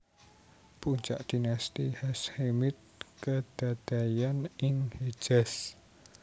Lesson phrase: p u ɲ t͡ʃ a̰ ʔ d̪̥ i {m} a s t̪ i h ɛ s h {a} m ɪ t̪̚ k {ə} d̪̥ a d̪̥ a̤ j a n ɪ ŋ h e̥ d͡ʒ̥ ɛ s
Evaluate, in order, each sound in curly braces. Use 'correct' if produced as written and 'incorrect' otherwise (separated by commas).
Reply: incorrect, incorrect, correct